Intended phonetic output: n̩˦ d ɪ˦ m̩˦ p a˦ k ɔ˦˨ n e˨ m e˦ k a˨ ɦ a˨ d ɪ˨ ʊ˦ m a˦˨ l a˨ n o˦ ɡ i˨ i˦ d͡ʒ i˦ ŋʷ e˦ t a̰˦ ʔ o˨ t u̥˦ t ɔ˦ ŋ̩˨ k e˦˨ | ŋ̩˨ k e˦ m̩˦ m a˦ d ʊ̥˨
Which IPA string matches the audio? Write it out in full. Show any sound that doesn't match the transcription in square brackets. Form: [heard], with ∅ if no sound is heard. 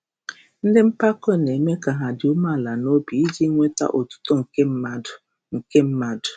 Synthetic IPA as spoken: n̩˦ d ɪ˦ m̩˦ p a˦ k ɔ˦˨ n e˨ m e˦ k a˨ ɦ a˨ d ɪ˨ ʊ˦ m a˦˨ l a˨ n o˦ [b] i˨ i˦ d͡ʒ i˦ ŋʷ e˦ t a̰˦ ʔ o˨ t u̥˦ t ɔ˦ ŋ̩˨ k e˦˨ | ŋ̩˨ k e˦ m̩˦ m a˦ d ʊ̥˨

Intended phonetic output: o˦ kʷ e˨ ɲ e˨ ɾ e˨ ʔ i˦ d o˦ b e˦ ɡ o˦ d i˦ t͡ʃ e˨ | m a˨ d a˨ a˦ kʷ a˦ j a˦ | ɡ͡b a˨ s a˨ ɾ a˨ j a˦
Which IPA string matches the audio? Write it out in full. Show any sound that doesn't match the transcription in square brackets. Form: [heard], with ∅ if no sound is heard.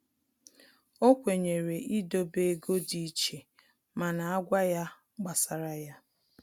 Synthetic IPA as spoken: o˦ kʷ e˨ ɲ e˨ ɾ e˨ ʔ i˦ d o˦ b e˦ ɡ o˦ d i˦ t͡ʃ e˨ | m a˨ [n] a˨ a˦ [ɡʷ] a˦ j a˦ | ɡ͡b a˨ s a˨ ɾ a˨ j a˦

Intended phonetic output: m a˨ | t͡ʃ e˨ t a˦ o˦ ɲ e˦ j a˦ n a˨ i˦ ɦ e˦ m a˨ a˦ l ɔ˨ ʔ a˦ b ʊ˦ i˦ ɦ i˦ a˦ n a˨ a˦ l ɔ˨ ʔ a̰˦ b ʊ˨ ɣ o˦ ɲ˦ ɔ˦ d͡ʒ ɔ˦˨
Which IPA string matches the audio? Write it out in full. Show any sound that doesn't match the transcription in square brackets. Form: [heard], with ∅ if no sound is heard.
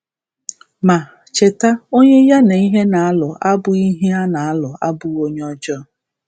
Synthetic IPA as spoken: m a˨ | t͡ʃ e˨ t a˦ o˦ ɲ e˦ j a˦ n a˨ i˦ ɦ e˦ [n] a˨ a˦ l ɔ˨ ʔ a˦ b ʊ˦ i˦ ɦ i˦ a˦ n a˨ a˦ l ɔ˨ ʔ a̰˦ b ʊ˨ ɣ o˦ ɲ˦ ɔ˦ d͡ʒ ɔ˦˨

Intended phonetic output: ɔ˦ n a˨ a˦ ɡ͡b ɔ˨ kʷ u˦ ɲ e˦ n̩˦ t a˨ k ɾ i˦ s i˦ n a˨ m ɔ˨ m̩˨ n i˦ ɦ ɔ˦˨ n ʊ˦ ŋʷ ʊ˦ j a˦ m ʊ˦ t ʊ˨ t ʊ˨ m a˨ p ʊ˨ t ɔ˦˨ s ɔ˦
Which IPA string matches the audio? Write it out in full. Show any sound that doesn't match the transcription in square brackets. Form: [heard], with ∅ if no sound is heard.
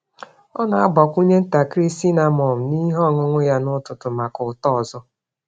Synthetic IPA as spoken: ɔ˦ n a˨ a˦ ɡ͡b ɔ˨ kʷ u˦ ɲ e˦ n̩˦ t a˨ k ɾ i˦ s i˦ n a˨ m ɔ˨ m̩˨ n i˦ ɦ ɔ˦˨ [ŋ] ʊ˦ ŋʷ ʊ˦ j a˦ [n] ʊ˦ t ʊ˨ t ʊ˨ m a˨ [k] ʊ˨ t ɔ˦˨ [z] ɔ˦

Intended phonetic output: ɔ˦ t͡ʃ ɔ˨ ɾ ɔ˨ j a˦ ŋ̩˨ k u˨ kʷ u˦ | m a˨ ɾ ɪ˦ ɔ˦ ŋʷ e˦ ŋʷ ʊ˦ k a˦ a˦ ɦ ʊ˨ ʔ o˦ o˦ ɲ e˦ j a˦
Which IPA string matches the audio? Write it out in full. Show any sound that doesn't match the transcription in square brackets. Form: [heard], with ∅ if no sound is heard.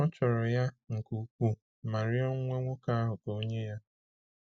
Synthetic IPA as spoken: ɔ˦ t͡ʃ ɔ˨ ɾ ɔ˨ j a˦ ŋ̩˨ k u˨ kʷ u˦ | m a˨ ɾ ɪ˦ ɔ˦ ŋʷ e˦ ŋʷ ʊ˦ k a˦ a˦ ɦ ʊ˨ [k] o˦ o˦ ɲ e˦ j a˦

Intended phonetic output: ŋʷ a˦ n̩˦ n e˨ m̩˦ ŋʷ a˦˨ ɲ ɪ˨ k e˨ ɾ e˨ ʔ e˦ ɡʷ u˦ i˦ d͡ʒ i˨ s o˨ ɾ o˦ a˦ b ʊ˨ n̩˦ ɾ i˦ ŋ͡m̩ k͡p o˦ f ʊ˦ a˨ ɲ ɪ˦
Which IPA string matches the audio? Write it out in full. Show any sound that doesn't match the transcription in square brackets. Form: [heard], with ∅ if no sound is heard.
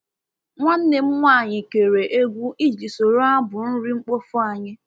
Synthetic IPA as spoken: ŋʷ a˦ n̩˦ n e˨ m̩˦ ŋʷ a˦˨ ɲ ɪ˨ k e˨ ɾ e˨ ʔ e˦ ɡʷ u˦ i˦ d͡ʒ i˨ s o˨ ɾ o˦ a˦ b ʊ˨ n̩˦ ɾ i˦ ŋ͡m̩ k͡p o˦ f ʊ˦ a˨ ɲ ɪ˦

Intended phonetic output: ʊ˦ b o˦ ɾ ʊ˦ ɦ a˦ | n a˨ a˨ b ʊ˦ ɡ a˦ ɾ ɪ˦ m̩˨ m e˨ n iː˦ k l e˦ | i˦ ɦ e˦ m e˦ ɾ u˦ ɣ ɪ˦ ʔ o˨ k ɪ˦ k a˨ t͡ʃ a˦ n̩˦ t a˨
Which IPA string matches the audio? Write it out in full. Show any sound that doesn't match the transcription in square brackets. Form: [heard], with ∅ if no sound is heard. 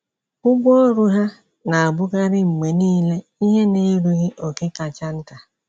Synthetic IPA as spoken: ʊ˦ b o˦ ɾ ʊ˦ ɦ a˦ | n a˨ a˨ b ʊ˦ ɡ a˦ ɾ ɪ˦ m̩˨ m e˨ n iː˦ [∅] l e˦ | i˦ ɦ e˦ [n] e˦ ɾ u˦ ɣ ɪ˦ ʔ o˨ k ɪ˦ k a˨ t͡ʃ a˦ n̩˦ t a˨

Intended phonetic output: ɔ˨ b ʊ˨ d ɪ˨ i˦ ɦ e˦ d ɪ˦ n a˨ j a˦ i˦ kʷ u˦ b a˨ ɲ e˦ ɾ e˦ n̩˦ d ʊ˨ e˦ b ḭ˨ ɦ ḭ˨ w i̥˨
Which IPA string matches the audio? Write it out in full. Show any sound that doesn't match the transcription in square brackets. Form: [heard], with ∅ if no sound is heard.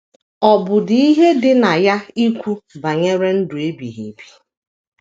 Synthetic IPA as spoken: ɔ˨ b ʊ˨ d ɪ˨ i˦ ɦ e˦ d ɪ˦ n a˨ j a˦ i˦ kʷ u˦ b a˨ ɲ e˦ ɾ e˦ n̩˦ d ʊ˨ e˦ b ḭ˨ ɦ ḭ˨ [b] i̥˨

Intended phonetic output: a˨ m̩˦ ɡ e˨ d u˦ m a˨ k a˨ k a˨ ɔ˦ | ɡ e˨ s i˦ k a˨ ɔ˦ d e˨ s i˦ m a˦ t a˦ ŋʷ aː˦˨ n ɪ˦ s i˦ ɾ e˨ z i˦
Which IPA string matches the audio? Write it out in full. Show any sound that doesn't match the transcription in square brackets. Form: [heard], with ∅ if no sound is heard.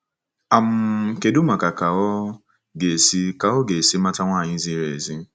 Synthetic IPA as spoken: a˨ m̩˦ [k] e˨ d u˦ m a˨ k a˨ k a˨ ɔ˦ | ɡ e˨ s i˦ k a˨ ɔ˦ [ɡ] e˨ s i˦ m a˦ t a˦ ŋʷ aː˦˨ [ɲ] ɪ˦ [z] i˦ ɾ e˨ z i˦

